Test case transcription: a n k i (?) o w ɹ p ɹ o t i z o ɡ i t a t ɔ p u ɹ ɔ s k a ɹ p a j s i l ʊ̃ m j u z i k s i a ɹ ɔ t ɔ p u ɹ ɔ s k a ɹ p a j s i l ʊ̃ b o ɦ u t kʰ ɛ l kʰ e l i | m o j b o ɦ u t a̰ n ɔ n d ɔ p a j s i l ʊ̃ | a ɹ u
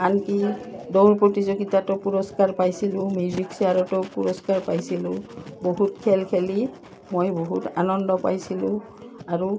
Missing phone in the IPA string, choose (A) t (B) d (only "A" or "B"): B